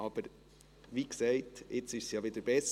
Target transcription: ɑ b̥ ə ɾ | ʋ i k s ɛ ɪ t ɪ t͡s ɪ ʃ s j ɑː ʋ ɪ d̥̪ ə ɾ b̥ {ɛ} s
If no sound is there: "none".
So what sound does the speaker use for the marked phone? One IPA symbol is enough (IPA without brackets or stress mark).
ɛ